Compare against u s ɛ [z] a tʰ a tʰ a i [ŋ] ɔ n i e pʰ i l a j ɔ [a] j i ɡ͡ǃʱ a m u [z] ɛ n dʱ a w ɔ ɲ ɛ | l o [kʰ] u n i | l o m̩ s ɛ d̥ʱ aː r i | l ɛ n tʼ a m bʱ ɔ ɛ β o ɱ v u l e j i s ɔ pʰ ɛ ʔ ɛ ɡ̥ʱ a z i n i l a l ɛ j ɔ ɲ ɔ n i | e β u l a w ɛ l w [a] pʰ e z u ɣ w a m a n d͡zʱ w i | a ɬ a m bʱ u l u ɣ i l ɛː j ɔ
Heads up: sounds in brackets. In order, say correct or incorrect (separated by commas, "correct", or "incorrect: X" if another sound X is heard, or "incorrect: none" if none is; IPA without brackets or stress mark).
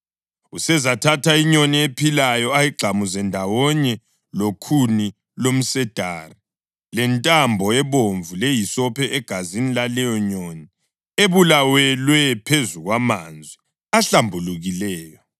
correct, incorrect: ɲ, correct, correct, correct, incorrect: ɛ